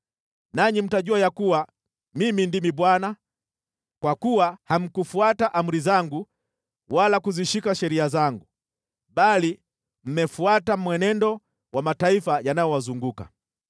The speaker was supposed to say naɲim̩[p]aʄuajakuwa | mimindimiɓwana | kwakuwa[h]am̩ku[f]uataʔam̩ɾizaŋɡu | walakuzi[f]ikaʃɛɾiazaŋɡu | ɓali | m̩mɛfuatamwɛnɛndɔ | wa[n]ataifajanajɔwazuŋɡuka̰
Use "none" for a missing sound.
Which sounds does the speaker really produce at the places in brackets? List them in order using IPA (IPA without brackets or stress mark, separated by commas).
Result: t, h, f, ʃ, m